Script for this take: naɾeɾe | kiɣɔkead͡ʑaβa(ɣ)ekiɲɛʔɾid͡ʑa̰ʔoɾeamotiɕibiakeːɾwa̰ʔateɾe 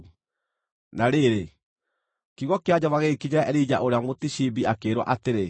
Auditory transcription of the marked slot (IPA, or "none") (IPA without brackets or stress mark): ɣ